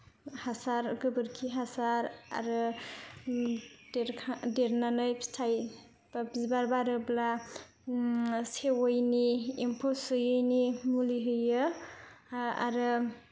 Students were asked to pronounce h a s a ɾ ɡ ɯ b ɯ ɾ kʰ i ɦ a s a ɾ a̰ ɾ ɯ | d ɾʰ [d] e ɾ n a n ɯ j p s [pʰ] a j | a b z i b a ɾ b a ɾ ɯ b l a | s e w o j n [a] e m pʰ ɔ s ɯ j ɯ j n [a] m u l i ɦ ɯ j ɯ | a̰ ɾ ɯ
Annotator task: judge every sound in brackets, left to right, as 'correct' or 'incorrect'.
correct, incorrect, incorrect, incorrect

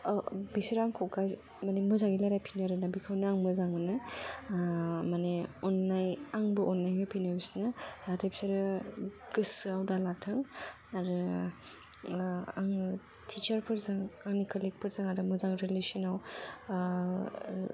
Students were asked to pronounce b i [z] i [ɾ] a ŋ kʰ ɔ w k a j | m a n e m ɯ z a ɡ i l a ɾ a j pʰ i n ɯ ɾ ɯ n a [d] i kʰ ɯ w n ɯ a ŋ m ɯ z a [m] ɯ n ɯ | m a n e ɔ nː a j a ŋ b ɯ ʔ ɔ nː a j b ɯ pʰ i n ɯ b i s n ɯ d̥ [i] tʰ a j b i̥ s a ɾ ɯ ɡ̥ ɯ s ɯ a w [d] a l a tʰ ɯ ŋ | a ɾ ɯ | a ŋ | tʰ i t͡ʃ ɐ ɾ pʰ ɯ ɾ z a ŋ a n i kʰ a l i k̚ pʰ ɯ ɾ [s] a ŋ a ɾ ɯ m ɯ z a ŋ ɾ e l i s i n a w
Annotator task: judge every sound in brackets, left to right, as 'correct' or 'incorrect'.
incorrect, correct, incorrect, incorrect, incorrect, correct, incorrect

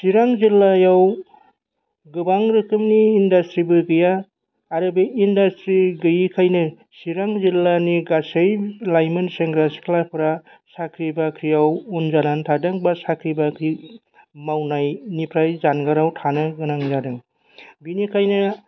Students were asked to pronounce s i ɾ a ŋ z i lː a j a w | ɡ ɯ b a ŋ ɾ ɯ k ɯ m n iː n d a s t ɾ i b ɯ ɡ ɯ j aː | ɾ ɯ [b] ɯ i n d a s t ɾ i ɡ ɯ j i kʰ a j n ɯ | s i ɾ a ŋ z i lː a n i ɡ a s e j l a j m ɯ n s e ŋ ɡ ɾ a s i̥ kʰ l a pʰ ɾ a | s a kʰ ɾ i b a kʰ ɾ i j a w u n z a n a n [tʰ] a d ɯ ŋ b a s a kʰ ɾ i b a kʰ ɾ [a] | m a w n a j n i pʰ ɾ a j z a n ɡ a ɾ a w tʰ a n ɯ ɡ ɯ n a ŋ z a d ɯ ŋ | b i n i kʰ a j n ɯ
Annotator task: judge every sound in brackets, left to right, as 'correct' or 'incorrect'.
correct, correct, incorrect

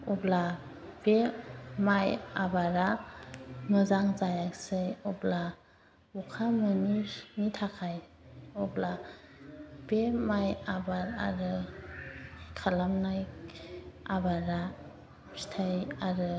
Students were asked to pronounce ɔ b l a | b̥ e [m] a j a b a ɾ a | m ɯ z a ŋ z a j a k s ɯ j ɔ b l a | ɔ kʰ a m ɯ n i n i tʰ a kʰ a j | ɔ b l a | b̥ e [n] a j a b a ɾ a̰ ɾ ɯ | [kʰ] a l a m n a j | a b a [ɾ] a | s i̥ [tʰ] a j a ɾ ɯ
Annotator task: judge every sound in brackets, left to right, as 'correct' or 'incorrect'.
correct, incorrect, correct, correct, correct

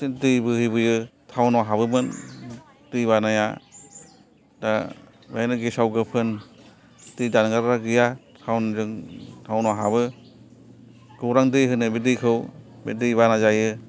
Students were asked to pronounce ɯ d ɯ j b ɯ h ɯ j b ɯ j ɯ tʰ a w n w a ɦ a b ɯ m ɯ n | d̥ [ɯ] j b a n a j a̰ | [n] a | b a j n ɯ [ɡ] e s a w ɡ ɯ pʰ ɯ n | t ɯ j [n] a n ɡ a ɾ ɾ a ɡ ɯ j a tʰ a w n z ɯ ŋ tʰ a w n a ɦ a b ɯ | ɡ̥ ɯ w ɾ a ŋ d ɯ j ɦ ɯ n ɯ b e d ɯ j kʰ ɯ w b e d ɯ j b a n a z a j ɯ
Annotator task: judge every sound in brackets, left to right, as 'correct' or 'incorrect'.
correct, incorrect, correct, incorrect

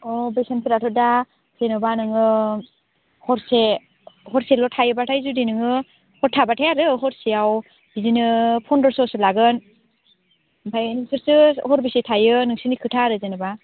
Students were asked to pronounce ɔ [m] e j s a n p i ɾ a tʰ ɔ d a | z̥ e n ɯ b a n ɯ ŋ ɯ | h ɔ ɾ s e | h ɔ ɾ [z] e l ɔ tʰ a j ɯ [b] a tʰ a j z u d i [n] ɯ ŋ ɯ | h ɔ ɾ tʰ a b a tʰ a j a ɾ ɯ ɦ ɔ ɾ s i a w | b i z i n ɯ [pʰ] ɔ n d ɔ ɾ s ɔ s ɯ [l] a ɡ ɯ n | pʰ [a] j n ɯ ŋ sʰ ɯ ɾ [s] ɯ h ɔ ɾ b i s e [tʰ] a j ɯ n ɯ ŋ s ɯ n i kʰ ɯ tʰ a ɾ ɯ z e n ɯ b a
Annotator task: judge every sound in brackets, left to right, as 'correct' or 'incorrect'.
incorrect, incorrect, correct, correct, correct, correct, correct, correct, correct

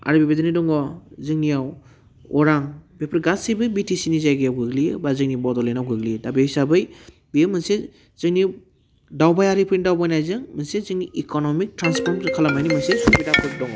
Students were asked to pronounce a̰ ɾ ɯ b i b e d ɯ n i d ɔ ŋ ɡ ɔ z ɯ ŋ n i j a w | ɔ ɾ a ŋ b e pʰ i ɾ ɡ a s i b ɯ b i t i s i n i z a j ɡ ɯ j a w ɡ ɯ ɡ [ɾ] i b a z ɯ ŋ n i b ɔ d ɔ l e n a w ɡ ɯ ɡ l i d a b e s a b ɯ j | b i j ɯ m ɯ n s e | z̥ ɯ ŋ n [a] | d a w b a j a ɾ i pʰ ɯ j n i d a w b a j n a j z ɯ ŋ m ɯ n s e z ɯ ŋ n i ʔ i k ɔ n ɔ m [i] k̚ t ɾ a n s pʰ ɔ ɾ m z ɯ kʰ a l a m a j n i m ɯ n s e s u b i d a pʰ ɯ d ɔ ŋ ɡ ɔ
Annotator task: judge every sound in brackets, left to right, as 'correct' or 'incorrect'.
incorrect, incorrect, correct

